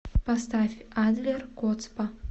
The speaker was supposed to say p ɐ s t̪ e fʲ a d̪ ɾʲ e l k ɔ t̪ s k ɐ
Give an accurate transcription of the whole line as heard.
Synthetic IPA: p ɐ s t̪ a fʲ a d̪ lʲ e r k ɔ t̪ s p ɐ